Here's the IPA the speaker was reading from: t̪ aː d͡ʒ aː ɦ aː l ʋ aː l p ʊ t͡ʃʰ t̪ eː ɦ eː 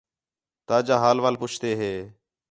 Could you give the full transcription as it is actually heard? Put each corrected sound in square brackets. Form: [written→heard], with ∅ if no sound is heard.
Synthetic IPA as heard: t̪ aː d͡ʒ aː ɦ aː l ʋ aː l p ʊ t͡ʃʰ t̪ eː ɦ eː

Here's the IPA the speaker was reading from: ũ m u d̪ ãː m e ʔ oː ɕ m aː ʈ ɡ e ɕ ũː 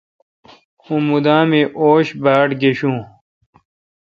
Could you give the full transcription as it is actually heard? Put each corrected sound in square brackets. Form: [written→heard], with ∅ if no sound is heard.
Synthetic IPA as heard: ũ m u d̪ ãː m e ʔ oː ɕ [m→b] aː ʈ ɡ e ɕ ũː

